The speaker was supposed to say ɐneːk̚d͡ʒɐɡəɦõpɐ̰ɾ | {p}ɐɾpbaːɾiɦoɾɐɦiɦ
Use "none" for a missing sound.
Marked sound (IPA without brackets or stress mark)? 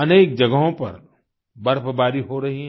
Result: b